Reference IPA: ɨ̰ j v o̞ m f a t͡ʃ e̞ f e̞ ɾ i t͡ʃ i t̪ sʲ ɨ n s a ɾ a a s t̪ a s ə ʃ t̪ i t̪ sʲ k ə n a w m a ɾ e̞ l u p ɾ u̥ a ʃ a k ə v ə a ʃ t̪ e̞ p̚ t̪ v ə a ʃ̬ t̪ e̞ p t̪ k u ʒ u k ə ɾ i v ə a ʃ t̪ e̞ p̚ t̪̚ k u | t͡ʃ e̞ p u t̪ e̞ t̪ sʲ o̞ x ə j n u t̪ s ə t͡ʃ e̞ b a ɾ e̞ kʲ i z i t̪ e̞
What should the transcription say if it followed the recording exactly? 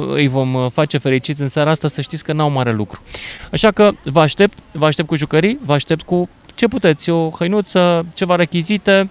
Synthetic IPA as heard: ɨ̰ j v o̞ m f a t͡ʃ e̞ f e̞ ɾ i t͡ʃ i t̪ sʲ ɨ n s a ɾ a a s t̪ a s ə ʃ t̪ i t̪ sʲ k ə n a w m a ɾ e̞ l u k ɾ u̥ a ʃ a k ə v ə a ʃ t̪ e̞ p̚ t̪ v ə a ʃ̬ t̪ e̞ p t̪ k u ʒ u k ə ɾ i v ə a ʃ t̪ e̞ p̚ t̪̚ k u | t͡ʃ e̞ p u t̪ e̞ t̪ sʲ o̞ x ə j n u t̪ s ə t͡ʃ e̞ v a ɾ e̞ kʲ i z i t̪ e̞